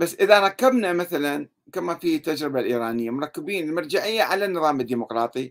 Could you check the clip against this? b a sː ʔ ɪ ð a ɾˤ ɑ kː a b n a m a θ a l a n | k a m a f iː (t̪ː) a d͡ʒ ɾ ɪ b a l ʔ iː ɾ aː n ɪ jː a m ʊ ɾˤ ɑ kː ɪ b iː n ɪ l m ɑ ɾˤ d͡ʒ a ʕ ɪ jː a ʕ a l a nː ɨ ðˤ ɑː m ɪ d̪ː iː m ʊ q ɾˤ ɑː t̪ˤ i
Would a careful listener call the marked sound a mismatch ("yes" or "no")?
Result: no